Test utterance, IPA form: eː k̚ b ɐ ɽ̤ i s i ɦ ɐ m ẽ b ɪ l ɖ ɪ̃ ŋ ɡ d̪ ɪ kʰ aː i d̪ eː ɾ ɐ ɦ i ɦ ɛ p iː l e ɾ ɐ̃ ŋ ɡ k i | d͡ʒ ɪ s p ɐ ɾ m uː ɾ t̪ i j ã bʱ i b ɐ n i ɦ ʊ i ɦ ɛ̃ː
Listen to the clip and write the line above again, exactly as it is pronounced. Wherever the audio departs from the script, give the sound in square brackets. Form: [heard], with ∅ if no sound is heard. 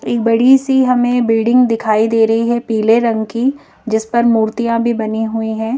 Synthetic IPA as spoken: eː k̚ b ɐ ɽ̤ i s i ɦ ɐ m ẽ b ɪ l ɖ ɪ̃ ŋ ɡ d̪ ɪ kʰ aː i d̪ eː ɾ ɐ ɦ i ɦ ɛ p iː l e ɾ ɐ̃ ŋ ɡ k i | d͡ʒ ɪ s p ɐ ɾ m uː ɾ t̪ i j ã bʱ i b ɐ n i ɦ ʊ i ɦ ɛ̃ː